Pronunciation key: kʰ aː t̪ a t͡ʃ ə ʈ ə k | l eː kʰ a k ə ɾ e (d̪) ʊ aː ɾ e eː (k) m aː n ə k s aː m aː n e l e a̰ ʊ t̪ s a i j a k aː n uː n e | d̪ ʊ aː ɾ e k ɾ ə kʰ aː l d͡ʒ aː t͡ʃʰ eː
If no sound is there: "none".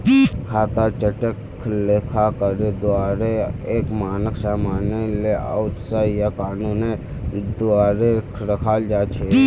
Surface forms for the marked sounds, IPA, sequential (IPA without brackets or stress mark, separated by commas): d̪, k